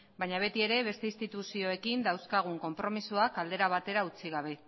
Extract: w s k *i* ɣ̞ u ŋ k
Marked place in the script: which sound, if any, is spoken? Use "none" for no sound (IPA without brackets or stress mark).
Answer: a